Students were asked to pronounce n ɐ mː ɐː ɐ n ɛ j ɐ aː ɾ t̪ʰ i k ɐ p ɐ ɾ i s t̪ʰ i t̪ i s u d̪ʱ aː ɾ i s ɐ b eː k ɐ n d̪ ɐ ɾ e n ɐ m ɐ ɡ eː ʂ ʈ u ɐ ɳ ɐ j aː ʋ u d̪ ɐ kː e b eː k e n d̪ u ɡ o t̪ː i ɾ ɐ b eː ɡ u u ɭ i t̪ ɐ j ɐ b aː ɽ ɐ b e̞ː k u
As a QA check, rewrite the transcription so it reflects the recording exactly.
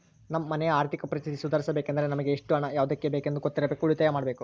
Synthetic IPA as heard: n ɐ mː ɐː ɐ n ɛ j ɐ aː ɾ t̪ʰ i k ɐ p ɐ ɾ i s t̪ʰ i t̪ i s u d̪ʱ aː ɾ i s ɐ b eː k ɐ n d̪ ɐ ɾ e n ɐ m ɐ ɡ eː ʂ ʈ u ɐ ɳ ɐ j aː ʋ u d̪ ɐ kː e b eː k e n d̪ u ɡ o t̪ː i ɾ ɐ b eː k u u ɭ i t̪ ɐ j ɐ m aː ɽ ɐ b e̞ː k u